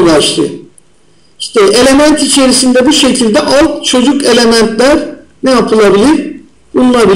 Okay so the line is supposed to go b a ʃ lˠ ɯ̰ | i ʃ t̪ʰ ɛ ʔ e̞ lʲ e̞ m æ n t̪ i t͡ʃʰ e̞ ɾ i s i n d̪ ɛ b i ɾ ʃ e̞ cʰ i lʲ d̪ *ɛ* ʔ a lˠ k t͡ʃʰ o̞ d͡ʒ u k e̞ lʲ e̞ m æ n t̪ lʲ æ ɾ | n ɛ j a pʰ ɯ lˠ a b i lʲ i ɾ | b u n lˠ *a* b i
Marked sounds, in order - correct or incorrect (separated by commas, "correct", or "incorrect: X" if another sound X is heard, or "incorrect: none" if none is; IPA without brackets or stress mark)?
correct, correct